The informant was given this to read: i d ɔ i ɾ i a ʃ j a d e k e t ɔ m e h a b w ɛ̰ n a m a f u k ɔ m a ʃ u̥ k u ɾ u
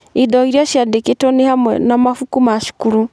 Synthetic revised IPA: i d ɔ i ɾ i a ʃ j a d e k e t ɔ n e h a m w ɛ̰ n a m a f u k u m a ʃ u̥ k u ɾ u